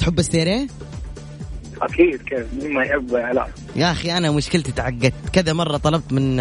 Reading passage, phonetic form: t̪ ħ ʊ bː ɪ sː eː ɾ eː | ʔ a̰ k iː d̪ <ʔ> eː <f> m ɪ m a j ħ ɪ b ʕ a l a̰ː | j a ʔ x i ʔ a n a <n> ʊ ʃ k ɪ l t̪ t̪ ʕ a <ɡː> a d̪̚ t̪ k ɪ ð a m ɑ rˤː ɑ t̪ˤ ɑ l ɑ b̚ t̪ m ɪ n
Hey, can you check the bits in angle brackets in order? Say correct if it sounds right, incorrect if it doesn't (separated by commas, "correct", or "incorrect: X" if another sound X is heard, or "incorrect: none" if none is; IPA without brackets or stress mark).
incorrect: k, correct, incorrect: m, correct